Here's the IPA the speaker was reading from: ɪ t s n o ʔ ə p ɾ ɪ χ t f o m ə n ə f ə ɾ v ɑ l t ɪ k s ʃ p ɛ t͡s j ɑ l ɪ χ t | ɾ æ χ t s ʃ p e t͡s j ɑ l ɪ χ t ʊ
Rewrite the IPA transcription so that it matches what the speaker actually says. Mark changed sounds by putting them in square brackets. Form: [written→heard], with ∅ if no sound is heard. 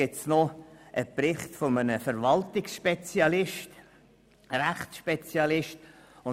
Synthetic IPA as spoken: ɪ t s n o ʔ ə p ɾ ɪ χ t f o m ə n ə f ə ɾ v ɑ l t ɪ k s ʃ p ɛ t͡s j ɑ l ɪ [χ→ʃ] t | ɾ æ χ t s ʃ p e t͡s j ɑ l ɪ [χ→ʃ] t ʊ